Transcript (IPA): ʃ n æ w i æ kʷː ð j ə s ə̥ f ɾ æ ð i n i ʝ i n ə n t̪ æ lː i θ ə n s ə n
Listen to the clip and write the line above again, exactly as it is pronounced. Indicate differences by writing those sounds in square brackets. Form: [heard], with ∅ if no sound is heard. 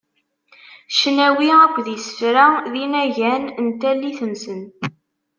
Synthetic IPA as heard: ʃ n æ w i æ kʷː ð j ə s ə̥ f ɾ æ ð i n [æ] ʝ [æ] n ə n t̪ æ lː i θ ə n s ə n